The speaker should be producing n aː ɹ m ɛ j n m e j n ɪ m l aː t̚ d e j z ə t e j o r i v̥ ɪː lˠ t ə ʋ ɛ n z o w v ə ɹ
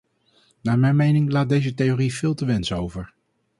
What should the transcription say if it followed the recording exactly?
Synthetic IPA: n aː ɹ m ɛ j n m e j n ɪ ŋ l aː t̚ d e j z ə t e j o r i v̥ ɪː lˠ t ə ʋ ɛ n s o w v ə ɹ

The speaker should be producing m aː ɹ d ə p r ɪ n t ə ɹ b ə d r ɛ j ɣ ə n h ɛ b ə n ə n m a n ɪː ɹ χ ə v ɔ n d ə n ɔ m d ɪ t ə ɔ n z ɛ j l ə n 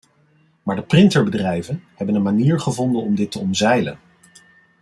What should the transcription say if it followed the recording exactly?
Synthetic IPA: m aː ɹ d ə p r ɪ n t ə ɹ b ə d r ɛ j v ə n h ɛ b ə n ə n m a n iː ɹ χ ə v ɔ n d ə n ɔ m d ɪ t ə ɔ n z ɛ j l ə n

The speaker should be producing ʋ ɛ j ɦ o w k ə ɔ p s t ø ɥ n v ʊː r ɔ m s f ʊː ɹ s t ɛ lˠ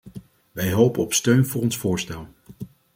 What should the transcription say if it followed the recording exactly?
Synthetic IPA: ʋ ɛ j ɦ o w p ə ɔ p s t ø ɥ n v ʊː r ɔ n s f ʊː ɹ s t ɛ lˠ

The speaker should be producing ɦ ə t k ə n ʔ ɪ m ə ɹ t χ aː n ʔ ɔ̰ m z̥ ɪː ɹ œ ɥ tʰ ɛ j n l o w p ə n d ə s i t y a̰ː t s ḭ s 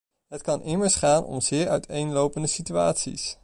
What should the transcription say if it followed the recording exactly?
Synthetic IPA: ɦ ə t k ɑ n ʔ ɪ m ə ɹ s χ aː n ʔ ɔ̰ m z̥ ɪː ɹ œ ɥ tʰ e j n l o w p ə n d ə s i t y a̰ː t s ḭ s

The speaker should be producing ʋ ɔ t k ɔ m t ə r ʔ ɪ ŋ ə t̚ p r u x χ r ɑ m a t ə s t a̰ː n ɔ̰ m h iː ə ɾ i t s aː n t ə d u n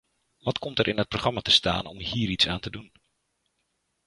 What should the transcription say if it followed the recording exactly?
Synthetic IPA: ʋ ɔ t k ɔ m t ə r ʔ ɪ n ə t̚ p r o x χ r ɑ m a t ə s t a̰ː n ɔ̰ m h iː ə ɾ i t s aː n t ə d u n

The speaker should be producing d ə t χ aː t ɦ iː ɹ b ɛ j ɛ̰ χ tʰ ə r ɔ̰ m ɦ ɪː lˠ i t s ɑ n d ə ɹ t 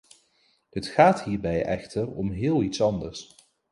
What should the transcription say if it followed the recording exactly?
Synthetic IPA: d ə t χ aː t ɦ iː ɹ b ɛ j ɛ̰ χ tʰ ə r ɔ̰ m ɦ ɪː lˠ i t s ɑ n d ə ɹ s

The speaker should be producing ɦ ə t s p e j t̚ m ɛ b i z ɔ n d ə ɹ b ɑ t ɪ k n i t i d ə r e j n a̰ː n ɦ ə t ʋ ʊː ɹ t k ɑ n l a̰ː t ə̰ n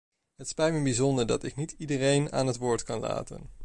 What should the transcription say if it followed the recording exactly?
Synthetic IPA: ɦ ə t s p ɛ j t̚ m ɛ b i z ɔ n d ə ɹ d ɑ t ɪ k n i t i d ə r e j n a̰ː n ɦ ə t ʋ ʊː ɹ t k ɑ n l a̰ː t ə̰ n

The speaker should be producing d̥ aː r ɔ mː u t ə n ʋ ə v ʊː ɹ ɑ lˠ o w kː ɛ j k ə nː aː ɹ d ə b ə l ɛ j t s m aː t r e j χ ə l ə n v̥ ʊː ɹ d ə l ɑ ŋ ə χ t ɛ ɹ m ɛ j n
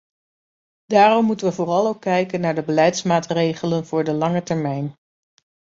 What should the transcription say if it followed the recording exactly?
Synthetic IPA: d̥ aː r ɔ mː u t ə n ʋ ə v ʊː r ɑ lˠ o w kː ɛ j k ə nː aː ɹ d ə b ə l ɛ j t s m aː t r e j χ ə l ə n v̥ ʊː ɹ d ə l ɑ ŋ ə t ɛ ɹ m ɛ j n

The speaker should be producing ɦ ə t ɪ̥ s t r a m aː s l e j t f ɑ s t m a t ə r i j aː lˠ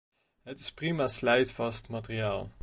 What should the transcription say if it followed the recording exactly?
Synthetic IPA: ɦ ə t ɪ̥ s p r i m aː s l ɛ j t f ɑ s t m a t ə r i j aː lˠ

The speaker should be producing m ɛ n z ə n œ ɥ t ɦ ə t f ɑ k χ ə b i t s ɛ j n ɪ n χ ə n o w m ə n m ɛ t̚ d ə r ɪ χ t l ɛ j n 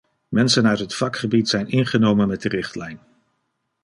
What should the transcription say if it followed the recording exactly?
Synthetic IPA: m ɛ n s ə n œ ɥ t ɦ ə t f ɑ k χ ə b i t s ɛ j n ɪ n χ ə n o w m ə n m ɛ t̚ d ə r ɪ χ t l ɛ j n

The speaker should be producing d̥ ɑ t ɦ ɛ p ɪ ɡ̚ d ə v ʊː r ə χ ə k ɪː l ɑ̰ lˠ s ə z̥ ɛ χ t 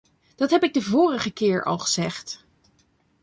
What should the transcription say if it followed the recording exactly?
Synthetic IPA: d̥ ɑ t ɦ ɛ p ɪ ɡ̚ d ə v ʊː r ə χ ə k ɪː ɹ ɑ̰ lˠ χ ə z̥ ɛ χ t

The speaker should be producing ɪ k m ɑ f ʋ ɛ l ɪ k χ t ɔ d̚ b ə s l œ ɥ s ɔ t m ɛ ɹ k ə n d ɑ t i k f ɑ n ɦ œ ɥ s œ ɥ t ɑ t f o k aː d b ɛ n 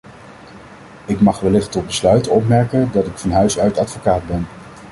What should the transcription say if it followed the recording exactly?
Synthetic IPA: ɪ k m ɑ χ ʋ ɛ l ɪ χ t ɔ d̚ b ə s l œ ɥ t ɔ p m ɛ ɹ k ə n d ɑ t ɪ k f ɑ n ɦ œ ɥ s œ ɥ t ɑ t f o k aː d b ɛ n

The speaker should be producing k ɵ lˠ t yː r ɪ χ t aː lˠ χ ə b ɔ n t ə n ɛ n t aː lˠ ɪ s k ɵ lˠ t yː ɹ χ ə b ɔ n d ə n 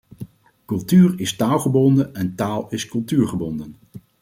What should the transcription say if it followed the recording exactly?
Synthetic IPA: k ɵ lˠ t yː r ɪ s t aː lˠ χ ə b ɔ n d ə n ɛ n t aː lˠ ɪ s k ɵ lˠ t yː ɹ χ ə b ɔ n d ə n

